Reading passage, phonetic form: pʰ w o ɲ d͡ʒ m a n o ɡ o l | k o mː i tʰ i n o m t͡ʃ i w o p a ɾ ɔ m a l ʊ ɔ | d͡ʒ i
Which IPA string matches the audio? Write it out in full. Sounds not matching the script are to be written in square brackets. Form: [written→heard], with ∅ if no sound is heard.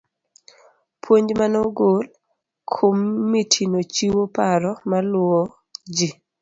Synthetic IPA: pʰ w o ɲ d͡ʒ m a n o ɡ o l | [k→kʰ] o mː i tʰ i n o [m→∅] t͡ʃ i w o p a ɾ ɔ m a l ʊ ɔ | d͡ʒ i